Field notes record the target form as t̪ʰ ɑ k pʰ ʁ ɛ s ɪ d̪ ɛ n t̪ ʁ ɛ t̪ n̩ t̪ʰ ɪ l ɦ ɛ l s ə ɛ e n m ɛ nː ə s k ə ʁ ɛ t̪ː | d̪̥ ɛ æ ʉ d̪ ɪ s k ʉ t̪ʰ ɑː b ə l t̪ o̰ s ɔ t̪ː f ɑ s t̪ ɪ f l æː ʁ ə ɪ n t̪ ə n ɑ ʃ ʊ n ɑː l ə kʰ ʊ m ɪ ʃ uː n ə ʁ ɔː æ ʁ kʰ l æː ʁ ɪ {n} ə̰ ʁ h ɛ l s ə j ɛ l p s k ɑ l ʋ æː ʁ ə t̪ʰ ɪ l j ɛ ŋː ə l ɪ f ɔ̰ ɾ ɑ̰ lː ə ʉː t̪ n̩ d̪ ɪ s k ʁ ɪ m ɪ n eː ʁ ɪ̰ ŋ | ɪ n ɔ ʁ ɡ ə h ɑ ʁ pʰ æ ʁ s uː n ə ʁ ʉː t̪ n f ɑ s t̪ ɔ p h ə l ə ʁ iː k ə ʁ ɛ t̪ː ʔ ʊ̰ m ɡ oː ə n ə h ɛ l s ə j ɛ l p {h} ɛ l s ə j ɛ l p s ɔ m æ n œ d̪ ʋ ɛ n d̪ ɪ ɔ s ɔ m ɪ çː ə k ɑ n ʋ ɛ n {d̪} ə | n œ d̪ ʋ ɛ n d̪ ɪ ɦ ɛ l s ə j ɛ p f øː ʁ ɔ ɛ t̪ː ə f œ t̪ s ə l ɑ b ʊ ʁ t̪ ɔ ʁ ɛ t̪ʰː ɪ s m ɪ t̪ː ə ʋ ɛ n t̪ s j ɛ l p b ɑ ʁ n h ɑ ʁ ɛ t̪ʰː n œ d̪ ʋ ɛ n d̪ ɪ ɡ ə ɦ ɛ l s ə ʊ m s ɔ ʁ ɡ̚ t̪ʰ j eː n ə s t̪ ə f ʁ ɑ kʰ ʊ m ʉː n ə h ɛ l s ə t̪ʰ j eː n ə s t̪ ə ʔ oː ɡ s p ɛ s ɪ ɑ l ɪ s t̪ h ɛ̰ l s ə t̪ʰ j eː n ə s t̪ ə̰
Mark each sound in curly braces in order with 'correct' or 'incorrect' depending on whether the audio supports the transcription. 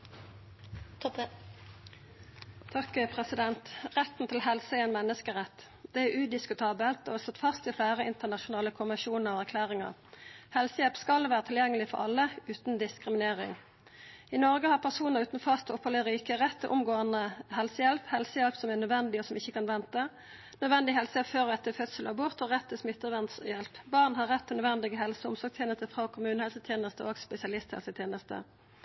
incorrect, correct, incorrect

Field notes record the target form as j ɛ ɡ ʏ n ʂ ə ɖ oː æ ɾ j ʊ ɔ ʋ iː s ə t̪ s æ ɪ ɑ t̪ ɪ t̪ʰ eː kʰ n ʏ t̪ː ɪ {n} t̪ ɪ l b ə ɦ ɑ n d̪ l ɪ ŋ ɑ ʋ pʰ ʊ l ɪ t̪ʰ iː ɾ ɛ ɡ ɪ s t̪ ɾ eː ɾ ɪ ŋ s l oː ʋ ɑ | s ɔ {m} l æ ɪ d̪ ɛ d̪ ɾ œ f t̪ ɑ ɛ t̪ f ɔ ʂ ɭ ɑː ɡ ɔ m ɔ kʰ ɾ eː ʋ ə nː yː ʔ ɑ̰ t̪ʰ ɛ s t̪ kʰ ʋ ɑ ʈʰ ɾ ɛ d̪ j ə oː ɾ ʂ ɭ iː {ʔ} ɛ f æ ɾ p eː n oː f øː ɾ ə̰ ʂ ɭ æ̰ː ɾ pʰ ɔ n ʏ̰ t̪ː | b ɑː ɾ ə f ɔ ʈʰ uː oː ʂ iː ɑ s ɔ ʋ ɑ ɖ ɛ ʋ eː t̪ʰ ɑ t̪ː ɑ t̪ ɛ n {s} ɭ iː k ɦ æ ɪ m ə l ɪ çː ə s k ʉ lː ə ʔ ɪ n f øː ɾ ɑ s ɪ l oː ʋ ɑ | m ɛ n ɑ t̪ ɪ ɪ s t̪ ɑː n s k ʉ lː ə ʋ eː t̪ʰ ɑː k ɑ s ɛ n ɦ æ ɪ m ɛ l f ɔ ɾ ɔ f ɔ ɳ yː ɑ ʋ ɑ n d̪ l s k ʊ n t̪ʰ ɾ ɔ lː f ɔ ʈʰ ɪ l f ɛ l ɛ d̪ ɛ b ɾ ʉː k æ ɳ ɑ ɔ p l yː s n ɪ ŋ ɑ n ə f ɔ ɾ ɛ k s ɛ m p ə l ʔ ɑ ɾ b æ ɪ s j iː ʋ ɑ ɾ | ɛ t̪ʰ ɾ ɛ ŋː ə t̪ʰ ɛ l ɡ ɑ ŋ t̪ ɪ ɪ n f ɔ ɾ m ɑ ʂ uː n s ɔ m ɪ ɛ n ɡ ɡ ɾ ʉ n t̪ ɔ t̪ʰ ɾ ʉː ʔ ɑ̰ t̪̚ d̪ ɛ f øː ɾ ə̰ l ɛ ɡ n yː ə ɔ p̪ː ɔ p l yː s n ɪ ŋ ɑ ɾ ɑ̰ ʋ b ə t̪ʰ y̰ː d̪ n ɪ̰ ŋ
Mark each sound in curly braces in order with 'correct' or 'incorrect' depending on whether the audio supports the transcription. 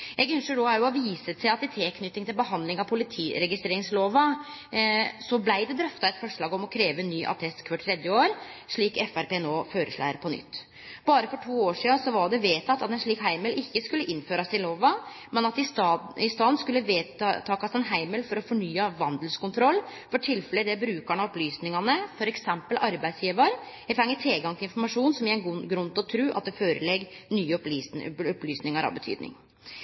incorrect, incorrect, incorrect, incorrect

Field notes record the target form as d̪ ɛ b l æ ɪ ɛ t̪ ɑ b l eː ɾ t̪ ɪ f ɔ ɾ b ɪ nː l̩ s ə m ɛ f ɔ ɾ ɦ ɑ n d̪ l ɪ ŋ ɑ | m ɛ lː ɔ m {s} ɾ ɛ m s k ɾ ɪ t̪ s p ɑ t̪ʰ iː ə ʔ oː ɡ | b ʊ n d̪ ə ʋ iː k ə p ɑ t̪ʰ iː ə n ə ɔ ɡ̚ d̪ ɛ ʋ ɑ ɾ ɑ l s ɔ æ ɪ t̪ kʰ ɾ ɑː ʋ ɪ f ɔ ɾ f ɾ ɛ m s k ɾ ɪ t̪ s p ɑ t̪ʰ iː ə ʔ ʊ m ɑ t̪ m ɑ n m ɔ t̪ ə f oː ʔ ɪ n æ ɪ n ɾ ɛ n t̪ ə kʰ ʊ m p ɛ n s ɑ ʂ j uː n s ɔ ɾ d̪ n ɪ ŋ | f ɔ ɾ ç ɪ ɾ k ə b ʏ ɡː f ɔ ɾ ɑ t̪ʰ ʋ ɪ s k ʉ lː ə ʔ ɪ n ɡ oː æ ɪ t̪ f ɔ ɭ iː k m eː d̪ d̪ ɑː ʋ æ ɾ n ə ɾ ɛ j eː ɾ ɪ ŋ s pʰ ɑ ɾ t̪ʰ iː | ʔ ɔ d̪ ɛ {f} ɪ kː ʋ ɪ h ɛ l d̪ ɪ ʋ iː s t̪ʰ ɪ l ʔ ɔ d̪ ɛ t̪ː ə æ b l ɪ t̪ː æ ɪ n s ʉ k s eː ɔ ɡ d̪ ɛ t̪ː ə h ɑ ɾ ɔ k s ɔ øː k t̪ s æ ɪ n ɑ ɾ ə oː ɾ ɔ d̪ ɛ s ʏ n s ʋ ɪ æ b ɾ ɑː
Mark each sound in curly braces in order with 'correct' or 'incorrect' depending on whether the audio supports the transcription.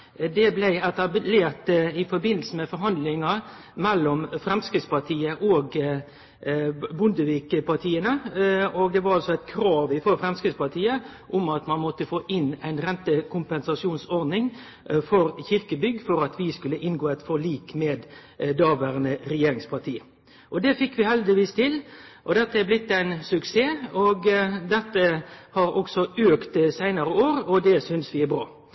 incorrect, correct

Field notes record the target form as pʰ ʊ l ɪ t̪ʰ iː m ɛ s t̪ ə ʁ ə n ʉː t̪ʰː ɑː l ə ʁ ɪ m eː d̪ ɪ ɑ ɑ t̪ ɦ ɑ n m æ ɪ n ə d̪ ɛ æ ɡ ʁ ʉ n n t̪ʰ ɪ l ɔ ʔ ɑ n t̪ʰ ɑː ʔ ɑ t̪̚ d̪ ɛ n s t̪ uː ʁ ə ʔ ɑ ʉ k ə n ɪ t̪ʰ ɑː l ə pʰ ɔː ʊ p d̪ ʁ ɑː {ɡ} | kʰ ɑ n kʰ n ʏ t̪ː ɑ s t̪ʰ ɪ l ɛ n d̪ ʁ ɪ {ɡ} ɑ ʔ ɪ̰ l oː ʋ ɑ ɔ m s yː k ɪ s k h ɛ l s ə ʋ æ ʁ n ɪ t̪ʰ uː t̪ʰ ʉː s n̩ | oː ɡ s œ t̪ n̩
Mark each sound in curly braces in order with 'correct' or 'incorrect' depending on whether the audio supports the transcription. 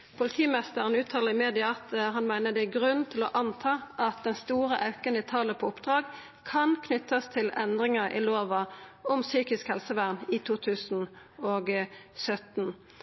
correct, incorrect

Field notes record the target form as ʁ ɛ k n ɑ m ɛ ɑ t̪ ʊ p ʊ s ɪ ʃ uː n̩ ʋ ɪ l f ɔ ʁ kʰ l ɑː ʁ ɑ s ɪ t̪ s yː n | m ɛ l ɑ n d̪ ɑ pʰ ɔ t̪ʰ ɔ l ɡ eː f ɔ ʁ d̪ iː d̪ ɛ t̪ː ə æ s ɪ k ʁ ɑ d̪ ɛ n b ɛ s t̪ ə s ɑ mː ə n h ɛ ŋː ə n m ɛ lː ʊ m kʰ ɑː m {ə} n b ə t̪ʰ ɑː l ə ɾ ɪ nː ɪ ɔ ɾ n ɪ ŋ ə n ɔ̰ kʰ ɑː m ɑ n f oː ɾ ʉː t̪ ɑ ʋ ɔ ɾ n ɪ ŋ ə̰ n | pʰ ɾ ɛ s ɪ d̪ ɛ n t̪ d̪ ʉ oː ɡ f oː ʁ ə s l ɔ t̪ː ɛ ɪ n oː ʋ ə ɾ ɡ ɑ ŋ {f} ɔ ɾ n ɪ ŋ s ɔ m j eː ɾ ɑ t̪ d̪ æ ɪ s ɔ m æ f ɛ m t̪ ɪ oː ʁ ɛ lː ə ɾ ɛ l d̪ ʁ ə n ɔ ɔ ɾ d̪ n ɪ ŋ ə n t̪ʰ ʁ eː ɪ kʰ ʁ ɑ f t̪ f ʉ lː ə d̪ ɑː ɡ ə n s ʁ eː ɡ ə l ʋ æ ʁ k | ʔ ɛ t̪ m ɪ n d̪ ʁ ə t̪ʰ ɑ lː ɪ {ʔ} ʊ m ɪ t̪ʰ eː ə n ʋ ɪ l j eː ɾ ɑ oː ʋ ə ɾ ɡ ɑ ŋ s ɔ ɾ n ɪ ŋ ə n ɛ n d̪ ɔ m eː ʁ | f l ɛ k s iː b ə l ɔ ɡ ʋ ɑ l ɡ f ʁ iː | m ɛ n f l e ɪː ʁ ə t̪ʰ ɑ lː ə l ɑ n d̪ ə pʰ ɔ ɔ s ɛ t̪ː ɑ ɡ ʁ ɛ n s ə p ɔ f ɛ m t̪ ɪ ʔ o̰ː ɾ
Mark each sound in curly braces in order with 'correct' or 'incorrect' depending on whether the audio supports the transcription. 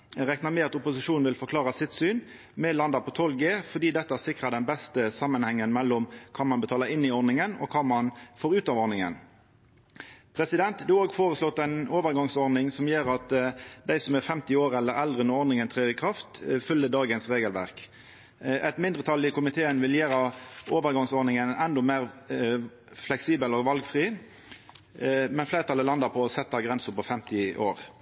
incorrect, incorrect, incorrect

